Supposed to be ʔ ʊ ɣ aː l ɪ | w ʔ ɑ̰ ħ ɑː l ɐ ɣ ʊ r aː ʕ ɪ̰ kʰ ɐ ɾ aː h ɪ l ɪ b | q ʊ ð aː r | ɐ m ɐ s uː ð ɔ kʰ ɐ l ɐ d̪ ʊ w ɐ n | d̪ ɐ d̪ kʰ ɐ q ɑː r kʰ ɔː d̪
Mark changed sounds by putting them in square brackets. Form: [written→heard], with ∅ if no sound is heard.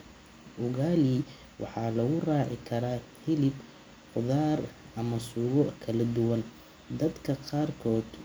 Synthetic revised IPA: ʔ ʊ ɣ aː l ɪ | w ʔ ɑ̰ ħ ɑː l ɐ ɣ ʊ r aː ʕ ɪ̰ kʰ ɐ ɾ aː h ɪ l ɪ b | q ʊ ð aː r | ɐ m ɐ s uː [ð→ɣ] ɔ kʰ ɐ l ɐ d̪ ʊ w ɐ n | d̪ ɐ d̪ kʰ ɐ q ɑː r kʰ ɔː d̪

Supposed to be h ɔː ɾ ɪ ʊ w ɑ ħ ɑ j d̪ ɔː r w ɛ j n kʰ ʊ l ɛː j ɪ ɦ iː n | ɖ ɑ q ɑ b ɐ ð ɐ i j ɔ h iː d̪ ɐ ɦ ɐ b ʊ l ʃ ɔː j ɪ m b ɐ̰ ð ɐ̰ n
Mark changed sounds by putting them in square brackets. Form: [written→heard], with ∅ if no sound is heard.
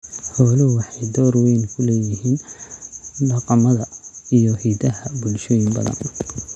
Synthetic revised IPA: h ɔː [ɾ→l] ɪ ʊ w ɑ ħ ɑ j d̪ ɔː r w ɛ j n kʰ ʊ l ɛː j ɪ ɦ iː n | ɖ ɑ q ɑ [b→m] ɐ ð ɐ i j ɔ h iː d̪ ɐ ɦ ɐ b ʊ l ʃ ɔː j ɪ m b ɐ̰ ð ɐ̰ n

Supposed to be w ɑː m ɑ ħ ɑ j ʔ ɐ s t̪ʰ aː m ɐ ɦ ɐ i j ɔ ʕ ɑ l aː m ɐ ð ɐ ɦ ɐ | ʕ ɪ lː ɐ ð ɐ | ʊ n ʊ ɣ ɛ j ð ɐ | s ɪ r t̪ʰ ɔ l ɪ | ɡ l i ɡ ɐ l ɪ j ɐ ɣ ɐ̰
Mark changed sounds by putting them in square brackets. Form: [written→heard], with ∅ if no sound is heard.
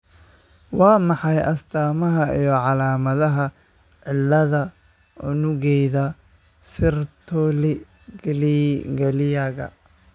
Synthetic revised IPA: w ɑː m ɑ ħ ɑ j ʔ ɐ s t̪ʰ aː m ɐ ɦ ɐ i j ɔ ʕ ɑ l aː m ɐ ð ɐ ɦ ɐ | ʕ ɪ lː ɐ ð ɐ | ʊ n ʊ ɣ ɛ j ð ɐ | s ɪ r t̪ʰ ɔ l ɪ | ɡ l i ɡ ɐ l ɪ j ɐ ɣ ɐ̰

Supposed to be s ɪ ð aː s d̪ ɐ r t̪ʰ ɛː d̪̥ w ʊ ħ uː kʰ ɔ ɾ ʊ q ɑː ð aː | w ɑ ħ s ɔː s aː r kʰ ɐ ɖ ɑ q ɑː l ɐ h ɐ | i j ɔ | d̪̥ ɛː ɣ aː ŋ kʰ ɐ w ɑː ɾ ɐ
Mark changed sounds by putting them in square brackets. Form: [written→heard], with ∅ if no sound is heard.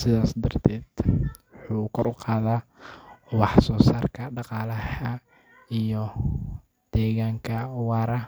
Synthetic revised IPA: s ɪ ð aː s d̪ ɐ r t̪ʰ ɛː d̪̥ w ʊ ħ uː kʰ ɔ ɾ ʊ q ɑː ð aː | w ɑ ħ s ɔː s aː r kʰ ɐ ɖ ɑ q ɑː l ɐ h ɐ | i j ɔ | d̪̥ ɛː ɣ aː ŋ kʰ ɐ w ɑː ɾ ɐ

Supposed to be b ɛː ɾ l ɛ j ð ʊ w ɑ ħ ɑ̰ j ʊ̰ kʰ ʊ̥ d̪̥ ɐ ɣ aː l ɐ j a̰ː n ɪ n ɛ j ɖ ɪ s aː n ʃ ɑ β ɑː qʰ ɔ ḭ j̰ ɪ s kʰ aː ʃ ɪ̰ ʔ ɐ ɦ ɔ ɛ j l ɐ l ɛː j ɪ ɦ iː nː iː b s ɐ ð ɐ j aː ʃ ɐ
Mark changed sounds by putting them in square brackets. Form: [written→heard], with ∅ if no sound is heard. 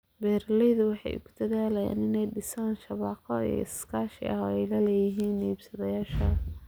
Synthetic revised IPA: b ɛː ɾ l ɛ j ð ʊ w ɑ ħ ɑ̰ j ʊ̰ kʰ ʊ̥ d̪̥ ɐ [ɣ→ð] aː l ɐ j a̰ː n ɪ n ɛ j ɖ ɪ s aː n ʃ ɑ β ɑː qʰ ɔ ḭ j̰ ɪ s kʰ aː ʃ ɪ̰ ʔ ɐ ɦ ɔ ɛ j l ɐ l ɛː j ɪ ɦ iː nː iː b s ɐ ð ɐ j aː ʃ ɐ

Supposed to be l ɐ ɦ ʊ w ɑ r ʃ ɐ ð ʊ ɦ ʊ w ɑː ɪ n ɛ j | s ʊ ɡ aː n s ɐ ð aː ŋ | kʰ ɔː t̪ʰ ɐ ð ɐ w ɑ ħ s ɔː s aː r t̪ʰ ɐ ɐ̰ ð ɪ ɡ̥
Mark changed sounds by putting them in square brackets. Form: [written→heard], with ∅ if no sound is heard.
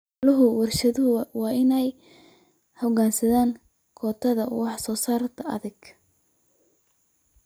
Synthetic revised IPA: l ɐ ɦ ʊ w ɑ r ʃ ɐ ð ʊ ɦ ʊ w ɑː ɪ n ɛ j | [s→h] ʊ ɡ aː n s ɐ ð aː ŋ | kʰ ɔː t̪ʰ ɐ ð ɐ w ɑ ħ s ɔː s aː r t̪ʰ ɐ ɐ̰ ð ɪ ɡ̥

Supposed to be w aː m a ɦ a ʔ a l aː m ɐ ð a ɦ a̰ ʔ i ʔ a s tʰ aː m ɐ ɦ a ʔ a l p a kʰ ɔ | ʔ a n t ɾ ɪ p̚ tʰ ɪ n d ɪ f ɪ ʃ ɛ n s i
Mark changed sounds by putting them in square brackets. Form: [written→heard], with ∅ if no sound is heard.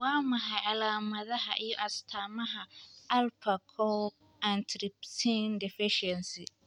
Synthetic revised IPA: w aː m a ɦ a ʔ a l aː m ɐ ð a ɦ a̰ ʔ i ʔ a s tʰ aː m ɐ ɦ a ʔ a l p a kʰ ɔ | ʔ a n t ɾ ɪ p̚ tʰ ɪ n d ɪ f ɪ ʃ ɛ n s i

